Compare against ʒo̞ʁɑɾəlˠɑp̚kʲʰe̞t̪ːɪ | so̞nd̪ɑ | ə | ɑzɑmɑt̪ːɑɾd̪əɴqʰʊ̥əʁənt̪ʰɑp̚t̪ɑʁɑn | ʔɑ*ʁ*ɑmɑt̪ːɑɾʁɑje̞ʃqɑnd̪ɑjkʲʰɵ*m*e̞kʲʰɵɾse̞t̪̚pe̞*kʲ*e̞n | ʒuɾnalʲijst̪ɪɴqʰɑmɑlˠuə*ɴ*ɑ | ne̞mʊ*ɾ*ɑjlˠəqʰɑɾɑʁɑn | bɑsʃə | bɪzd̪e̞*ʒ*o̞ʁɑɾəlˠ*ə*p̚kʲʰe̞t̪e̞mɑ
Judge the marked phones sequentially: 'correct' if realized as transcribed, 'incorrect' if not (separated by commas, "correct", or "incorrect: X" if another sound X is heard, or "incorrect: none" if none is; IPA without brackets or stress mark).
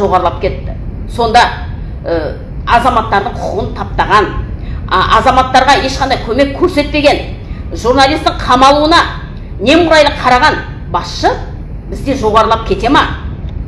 incorrect: z, correct, incorrect: ɡʲ, incorrect: n, correct, correct, incorrect: ɑ